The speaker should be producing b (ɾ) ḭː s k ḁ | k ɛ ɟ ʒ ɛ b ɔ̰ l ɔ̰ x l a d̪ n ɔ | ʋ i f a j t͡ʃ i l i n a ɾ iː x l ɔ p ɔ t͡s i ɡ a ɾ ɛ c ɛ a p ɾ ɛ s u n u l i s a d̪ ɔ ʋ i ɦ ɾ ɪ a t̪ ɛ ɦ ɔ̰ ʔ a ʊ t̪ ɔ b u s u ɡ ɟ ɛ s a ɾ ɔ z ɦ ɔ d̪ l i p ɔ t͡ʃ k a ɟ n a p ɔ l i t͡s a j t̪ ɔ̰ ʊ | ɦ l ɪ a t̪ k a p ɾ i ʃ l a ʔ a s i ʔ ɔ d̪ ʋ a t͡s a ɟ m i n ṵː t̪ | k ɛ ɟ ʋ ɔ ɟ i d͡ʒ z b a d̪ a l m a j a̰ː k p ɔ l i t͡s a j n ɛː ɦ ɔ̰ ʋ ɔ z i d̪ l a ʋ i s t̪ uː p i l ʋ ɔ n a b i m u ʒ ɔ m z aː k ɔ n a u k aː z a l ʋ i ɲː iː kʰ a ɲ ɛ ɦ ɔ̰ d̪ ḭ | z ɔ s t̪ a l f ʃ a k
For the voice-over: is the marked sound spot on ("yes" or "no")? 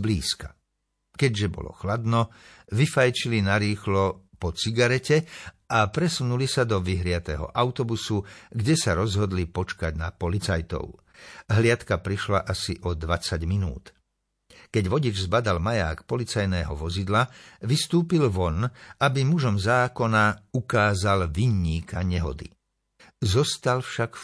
no